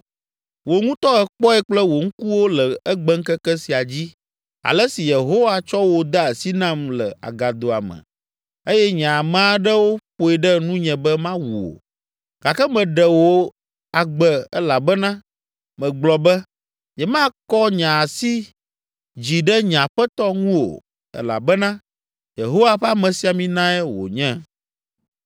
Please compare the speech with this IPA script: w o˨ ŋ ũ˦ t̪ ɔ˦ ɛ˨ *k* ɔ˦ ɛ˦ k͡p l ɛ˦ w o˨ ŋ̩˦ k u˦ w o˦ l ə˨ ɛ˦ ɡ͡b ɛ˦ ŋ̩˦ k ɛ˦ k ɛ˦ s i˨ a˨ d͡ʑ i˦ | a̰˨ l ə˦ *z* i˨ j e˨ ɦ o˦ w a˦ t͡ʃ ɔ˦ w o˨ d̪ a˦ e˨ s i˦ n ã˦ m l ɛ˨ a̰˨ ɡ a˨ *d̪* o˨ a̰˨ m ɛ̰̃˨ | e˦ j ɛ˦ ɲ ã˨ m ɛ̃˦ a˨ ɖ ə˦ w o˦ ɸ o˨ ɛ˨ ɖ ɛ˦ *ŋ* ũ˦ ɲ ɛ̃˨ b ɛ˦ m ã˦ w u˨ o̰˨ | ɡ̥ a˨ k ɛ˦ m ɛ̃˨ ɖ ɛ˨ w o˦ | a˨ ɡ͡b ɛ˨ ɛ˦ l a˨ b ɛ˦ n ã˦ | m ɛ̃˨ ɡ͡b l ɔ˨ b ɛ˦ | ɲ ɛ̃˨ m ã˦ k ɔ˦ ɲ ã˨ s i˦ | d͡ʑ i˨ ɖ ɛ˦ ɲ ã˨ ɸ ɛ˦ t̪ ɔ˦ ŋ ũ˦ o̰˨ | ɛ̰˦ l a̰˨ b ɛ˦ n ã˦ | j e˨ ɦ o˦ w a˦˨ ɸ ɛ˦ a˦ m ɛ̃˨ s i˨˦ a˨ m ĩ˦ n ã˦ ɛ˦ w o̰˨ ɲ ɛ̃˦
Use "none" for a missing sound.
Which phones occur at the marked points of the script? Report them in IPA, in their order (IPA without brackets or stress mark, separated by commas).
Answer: k͡p, s, d̪, n